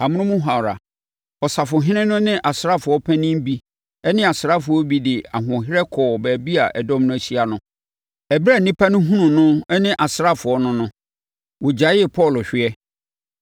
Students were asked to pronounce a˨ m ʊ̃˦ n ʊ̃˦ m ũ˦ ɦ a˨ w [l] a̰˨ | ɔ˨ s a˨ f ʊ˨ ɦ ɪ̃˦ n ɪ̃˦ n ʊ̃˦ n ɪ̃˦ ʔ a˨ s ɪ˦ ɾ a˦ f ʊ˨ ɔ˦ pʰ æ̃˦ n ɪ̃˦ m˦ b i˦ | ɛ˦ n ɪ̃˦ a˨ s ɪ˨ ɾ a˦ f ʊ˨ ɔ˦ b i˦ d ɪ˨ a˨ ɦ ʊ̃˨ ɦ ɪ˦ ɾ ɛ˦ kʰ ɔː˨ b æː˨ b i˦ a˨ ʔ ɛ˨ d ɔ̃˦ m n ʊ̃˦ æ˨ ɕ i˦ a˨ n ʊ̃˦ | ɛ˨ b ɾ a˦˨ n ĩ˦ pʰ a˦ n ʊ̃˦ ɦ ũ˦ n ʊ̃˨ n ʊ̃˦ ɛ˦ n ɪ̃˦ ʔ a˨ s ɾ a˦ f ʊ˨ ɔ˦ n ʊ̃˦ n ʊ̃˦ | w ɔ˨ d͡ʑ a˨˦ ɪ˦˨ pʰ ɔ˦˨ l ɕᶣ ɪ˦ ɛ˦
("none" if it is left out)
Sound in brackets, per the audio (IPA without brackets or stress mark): ɾ